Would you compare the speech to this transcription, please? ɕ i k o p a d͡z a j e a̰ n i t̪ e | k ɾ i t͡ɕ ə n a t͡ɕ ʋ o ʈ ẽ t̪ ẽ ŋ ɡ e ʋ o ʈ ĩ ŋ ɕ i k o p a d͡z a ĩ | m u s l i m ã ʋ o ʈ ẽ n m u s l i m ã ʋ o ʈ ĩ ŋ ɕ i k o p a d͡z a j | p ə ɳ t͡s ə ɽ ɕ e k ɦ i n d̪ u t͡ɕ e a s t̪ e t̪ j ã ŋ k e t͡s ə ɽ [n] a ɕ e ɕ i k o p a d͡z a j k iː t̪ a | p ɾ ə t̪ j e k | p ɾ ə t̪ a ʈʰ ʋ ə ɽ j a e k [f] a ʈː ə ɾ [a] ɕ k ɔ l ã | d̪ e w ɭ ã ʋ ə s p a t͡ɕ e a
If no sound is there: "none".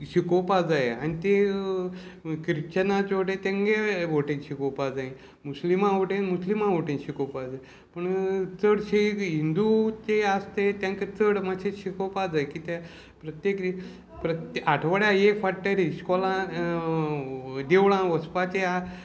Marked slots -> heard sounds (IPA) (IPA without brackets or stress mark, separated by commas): m, f, i